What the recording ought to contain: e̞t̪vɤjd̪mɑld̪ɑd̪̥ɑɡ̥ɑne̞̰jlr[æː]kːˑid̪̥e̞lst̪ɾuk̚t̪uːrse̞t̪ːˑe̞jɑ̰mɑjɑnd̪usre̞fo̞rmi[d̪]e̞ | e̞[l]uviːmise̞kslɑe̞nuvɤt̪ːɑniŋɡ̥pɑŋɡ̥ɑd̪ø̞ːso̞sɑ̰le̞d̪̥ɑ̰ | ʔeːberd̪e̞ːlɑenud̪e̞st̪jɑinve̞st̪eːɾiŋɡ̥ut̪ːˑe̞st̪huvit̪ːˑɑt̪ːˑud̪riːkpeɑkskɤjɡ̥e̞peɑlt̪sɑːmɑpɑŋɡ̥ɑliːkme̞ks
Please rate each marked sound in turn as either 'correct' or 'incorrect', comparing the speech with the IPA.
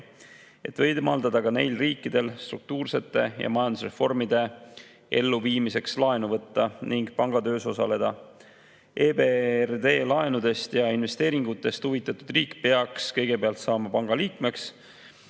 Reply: incorrect: iː, correct, incorrect: lː

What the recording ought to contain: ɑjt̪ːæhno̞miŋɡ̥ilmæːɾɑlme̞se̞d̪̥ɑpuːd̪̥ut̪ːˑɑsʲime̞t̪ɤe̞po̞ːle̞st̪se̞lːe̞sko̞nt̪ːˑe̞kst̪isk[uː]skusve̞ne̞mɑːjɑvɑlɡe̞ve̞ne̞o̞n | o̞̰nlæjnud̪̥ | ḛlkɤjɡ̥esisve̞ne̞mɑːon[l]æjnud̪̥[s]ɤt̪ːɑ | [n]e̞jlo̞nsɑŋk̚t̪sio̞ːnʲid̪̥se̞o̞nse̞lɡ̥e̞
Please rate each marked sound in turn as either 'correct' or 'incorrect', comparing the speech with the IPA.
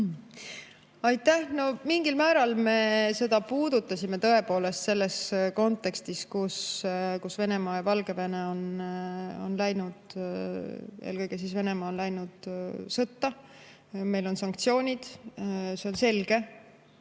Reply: incorrect: u, correct, correct, incorrect: m

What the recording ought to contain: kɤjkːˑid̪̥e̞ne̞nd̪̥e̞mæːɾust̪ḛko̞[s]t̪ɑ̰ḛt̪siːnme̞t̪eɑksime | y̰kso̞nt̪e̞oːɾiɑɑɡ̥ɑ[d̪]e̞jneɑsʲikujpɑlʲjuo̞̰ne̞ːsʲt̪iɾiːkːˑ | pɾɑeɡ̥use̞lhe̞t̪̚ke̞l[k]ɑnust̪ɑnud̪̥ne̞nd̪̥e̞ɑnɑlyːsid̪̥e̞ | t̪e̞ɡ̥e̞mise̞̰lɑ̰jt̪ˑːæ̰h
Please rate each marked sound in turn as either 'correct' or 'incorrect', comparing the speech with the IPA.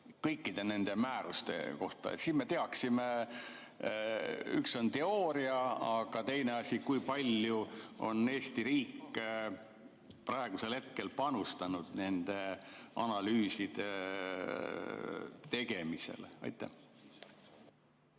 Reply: incorrect: h, incorrect: t̪, incorrect: p

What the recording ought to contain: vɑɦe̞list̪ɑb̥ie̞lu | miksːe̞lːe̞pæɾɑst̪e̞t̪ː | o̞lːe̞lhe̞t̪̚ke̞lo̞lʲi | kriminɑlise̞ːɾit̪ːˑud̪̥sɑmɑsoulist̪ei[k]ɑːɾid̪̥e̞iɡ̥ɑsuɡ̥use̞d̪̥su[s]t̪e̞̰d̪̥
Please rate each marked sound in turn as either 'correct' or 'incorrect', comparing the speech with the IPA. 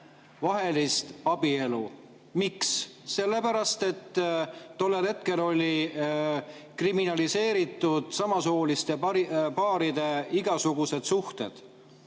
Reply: incorrect: p, incorrect: h

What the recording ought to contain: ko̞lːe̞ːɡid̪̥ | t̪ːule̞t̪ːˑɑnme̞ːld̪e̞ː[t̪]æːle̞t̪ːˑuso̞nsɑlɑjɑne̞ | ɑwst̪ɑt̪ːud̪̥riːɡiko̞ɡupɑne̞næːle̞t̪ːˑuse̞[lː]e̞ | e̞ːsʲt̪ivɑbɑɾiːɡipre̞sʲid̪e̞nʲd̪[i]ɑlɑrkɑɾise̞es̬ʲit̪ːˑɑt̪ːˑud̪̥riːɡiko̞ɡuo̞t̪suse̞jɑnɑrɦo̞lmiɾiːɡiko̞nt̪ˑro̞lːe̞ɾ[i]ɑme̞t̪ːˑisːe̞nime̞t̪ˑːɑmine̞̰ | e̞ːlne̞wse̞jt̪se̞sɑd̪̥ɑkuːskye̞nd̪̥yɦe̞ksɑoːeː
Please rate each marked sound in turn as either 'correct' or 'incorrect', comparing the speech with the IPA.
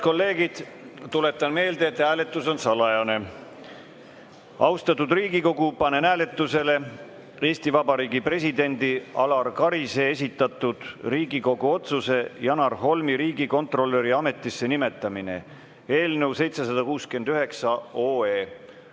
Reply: correct, incorrect: l, correct, correct

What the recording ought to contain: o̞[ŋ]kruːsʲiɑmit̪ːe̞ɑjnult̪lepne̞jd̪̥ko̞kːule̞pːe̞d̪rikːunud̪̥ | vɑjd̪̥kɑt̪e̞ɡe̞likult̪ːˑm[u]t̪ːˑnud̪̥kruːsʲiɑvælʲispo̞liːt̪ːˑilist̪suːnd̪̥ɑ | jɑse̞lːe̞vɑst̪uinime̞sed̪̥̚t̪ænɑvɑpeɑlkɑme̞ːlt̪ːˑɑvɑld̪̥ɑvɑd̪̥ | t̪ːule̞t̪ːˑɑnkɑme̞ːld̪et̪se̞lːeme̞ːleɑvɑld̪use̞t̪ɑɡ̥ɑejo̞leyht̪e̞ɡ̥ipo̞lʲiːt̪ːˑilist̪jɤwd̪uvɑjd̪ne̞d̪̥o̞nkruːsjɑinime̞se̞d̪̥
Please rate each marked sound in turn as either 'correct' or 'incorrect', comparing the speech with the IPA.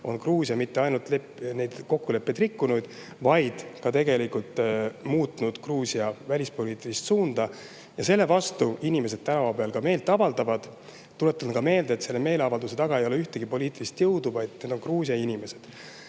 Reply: incorrect: n, incorrect: uː

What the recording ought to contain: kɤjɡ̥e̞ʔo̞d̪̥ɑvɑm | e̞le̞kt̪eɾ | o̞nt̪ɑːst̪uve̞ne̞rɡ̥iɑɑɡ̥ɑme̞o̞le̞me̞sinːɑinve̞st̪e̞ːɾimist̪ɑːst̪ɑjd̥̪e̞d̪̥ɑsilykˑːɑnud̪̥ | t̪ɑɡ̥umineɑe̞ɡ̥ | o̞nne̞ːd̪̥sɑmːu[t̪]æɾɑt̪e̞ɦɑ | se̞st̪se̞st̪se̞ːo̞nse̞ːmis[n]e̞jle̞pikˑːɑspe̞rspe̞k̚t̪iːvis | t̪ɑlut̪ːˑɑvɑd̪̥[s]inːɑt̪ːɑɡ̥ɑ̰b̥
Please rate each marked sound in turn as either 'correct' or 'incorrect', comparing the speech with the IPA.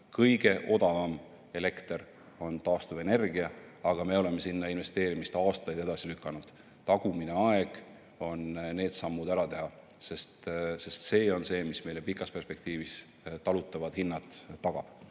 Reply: incorrect: d̪, incorrect: m, incorrect: h

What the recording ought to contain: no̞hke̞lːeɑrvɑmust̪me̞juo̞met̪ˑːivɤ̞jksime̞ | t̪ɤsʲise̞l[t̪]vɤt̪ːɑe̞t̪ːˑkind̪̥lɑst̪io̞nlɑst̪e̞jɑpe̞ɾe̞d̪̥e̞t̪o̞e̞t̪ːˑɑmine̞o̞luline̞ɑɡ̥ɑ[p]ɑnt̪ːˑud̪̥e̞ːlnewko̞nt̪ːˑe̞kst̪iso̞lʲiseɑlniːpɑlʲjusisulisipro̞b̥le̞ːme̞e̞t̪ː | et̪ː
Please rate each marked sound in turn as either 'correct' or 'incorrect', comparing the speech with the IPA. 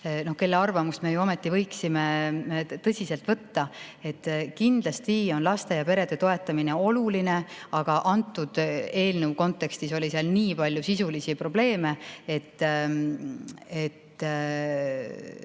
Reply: correct, incorrect: ʔ

